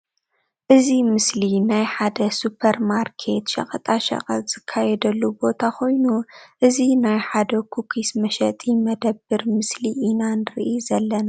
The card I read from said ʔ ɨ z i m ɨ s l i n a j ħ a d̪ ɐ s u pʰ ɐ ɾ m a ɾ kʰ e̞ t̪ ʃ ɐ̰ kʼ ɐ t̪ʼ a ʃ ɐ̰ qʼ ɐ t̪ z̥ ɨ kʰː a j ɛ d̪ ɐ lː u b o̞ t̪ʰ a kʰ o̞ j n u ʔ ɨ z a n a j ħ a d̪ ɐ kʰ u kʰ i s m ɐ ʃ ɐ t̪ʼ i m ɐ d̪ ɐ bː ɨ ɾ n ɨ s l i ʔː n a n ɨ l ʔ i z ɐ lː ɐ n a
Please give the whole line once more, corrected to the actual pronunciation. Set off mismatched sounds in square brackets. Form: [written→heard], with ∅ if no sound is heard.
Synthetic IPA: ʔ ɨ z i m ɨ s l i n a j ħ a d̪ ɐ s u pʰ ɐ ɾ m a ɾ kʰ e̞ t̪ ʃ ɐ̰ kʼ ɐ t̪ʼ a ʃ ɐ̰ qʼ ɐ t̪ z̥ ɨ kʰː a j ɛ d̪ ɐ lː u b o̞ t̪ʰ a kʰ o̞ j n u ʔ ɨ z [a→i] n a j ħ a d̪ ɐ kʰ u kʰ i s m ɐ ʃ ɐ t̪ʼ i m ɐ d̪ ɐ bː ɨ ɾ [n→m] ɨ s l i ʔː n a n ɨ [l→ɾ] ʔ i z ɐ lː ɐ n a

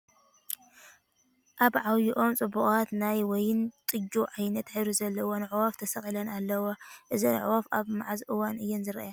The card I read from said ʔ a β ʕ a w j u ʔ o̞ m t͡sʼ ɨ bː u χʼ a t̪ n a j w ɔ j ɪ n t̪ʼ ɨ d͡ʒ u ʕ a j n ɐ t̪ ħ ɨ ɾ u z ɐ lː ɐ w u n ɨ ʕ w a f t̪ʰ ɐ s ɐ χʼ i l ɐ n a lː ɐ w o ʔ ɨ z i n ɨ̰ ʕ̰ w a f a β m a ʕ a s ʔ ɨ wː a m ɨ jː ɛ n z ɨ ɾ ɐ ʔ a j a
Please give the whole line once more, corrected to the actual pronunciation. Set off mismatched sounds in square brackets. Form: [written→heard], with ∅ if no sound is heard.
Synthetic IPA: ʔ a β ʕ a w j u ʔ o̞ m t͡sʼ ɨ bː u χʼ a t̪ n a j w ɔ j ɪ n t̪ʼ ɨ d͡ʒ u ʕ a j n ɐ t̪ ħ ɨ ɾ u z ɐ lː ɐ w [u→o] n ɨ ʕ w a f t̪ʰ ɐ s ɐ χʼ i l ɐ n a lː ɐ w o ʔ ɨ z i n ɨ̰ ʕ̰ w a f a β m a ʕ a [s→z] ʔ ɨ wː a [m→n] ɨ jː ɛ n z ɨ ɾ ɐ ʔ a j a

